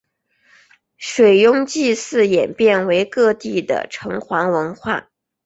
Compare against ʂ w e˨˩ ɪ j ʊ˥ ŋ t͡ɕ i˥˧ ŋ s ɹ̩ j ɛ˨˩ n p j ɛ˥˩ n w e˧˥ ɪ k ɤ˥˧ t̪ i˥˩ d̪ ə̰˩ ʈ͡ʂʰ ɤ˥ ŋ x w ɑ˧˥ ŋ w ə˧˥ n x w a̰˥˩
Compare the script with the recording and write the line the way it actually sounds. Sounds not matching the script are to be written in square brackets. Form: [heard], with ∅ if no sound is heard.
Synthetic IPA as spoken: ʂ w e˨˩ ɪ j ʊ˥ ŋ t͡ɕ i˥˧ [∅] s ɹ̩ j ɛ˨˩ n p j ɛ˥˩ n w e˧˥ ɪ k ɤ˥˧ t̪ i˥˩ d̪ ə̰˩ ʈ͡ʂʰ [ɤ˧˥] ŋ x w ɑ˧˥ ŋ w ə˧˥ n x w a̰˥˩